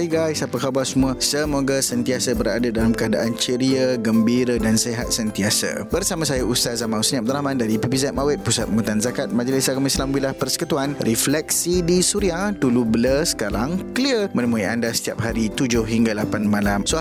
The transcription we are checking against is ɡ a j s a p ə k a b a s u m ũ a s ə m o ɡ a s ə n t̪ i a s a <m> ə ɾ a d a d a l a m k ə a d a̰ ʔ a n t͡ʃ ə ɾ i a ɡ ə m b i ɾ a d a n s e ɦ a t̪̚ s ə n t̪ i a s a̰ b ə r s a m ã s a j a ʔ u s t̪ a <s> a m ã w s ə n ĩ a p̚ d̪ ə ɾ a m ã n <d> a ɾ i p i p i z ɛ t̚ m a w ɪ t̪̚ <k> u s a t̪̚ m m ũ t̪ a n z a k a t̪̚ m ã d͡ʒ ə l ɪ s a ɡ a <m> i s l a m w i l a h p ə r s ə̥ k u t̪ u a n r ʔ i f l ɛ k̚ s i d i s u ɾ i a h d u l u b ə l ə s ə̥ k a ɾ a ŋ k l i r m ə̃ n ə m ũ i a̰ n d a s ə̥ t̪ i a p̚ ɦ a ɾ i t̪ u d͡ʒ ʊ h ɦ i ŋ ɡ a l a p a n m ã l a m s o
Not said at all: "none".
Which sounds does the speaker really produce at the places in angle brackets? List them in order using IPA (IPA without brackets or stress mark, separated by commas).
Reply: b, z, d, p, m